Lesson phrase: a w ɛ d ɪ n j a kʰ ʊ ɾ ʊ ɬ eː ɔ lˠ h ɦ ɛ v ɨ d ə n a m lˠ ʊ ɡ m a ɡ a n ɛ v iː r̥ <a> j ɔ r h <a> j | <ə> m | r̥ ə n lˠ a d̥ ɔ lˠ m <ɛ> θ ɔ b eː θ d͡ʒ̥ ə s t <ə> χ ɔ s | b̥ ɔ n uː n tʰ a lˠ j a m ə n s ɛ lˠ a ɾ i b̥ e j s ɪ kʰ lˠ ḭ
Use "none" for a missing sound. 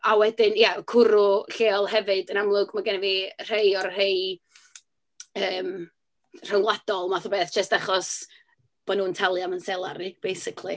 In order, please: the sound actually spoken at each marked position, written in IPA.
e, e, əː, a, a

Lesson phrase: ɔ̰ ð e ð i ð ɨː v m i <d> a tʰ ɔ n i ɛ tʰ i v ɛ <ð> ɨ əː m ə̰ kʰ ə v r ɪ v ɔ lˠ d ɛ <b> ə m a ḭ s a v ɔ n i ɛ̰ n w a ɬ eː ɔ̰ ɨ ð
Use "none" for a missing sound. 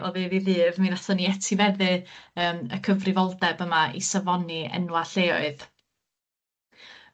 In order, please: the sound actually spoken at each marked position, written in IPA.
n, ð, b

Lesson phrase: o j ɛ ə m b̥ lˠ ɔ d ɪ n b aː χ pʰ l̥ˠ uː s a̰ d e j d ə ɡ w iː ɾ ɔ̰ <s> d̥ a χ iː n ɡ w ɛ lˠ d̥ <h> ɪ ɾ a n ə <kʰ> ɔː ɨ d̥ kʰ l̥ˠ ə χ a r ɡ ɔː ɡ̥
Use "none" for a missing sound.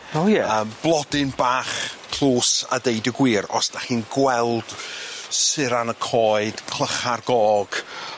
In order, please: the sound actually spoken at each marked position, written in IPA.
s, s, kʰ

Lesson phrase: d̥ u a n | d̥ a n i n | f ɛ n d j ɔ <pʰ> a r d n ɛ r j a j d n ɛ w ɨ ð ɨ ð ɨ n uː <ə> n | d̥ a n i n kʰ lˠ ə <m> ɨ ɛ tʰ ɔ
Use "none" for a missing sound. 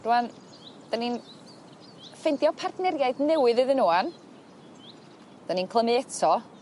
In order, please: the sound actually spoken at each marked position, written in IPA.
pʰ, a, m

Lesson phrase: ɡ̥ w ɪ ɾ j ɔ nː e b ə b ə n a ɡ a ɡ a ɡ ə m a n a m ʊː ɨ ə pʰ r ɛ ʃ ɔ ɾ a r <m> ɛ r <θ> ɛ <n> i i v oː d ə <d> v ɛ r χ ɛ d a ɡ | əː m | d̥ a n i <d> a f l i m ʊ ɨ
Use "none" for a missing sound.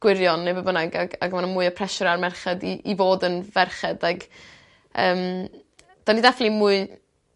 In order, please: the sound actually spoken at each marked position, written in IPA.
m, χ, d, n, d

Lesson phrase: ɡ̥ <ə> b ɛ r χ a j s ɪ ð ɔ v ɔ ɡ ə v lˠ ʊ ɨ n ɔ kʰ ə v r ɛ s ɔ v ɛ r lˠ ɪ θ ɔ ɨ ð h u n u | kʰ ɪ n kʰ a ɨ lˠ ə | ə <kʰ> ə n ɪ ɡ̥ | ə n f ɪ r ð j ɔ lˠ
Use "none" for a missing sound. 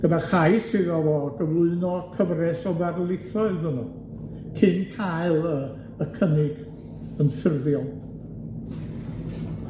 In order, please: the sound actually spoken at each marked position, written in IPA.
ə, kʰ

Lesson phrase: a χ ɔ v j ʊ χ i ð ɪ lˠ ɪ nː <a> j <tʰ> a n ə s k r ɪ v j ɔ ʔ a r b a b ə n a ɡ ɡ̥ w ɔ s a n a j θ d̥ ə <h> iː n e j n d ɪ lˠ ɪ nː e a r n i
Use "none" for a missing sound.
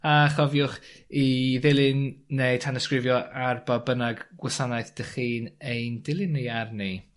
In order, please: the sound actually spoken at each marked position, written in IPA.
e, tʰ, χ

